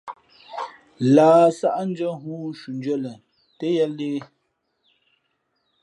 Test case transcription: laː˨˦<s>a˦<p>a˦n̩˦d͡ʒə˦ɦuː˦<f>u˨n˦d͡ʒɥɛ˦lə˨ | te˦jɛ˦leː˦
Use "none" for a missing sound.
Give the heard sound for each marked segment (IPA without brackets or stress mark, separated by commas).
s, ʔ, ʃ